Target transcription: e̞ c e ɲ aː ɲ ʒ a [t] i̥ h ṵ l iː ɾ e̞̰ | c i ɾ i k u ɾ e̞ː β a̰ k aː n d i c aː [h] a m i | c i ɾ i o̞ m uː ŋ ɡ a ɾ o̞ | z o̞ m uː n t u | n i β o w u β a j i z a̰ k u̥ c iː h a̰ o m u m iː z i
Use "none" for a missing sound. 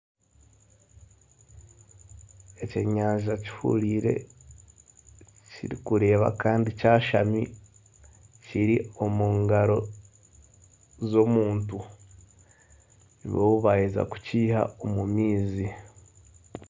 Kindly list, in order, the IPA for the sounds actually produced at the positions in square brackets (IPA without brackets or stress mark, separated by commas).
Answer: c, ʃ